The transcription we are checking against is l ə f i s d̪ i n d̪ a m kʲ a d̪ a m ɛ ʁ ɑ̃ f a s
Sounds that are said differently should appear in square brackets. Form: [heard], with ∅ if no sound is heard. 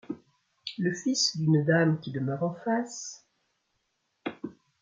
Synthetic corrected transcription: l ə f i s d̪ [y] n d̪ a m kʲ [i] d̪ [ə] m [œ] ʁ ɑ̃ f a s